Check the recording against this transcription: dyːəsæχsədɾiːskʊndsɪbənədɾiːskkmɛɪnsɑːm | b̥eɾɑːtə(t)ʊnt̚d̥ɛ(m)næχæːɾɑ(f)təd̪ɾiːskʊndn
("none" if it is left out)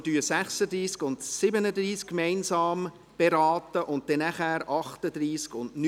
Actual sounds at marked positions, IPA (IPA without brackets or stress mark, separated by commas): ʔ, none, χ